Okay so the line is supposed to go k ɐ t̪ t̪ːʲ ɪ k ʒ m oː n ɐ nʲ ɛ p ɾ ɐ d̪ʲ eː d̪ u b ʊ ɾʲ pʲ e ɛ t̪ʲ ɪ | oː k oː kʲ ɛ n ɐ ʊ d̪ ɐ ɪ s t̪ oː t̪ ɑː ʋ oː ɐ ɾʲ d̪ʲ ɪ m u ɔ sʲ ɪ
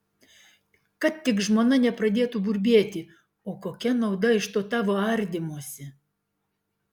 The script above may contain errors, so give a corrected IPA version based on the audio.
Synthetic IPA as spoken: k ɐ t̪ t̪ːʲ ɪ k ʒ m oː n ɐ nʲ ɛ p ɾ ɐ d̪ʲ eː t̪ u b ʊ ɾʲ bʲ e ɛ t̪ʲ ɪ | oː k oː kʲ ɛ n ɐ ʊ d̪ ɐ ɪ ʃ t̪ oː t̪ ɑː ʋ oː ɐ ɾʲ d̪ʲ ɪ m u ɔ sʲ ɪ